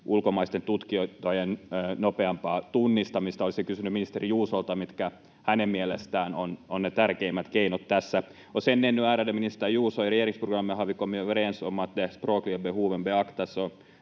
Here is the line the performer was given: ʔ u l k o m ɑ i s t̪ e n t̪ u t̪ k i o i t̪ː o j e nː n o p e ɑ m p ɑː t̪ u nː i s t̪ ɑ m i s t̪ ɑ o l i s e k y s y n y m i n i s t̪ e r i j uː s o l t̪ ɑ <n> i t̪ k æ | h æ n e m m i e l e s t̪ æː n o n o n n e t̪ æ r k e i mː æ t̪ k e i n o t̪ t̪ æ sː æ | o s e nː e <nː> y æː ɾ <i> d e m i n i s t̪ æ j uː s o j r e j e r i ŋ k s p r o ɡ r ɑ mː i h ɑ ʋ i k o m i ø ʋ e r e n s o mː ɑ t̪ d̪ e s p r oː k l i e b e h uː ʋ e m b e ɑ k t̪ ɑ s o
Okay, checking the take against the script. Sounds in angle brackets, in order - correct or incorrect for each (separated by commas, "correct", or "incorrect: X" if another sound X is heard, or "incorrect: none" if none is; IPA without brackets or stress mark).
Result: incorrect: m, correct, incorrect: æ